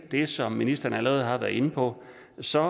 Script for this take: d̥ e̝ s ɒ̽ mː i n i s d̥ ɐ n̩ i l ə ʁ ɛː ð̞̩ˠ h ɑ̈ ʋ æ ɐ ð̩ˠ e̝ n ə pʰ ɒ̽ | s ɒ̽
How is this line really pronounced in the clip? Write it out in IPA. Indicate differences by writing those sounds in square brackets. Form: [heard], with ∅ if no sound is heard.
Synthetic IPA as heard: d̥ e̝ s ɒ̽ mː i n i s d̥ ɐ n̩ [æ] l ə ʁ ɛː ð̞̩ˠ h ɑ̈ ʋ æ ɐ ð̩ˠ e̝ n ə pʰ ɒ̽ | s ɒ̽